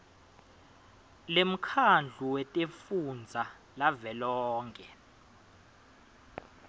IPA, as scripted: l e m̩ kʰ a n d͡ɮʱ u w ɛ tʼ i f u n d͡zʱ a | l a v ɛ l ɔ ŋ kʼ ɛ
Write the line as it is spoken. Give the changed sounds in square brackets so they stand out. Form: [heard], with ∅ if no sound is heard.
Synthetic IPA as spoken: l e m̩ kʰ a n d͡ɮʱ u w ɛ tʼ [e] f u n d͡zʱ a | l a v ɛ l [ɔː] ŋ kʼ ɛ

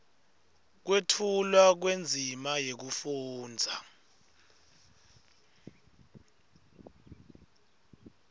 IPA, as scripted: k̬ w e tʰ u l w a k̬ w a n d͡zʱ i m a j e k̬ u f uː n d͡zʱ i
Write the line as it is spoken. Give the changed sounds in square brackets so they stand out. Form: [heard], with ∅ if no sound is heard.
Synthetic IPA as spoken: k̬ w e tʰ u l w a k̬ w [e] n d͡zʱ i m a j e k̬ u f uː n d͡zʱ [a]

